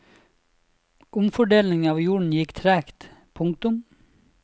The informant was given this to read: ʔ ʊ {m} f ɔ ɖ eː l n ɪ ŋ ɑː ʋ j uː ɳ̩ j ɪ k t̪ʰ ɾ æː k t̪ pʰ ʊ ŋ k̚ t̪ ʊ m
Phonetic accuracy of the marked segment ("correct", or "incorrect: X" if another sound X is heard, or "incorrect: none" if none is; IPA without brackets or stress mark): correct